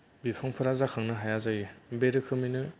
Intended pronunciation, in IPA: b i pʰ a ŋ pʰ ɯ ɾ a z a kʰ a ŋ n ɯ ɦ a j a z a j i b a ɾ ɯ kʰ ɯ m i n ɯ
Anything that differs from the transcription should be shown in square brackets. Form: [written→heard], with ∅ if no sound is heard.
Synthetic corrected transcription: b i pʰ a ŋ pʰ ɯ ɾ a z a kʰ a ŋ n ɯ ɦ a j a z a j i b [a→e] ɾ ɯ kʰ ɯ m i n ɯ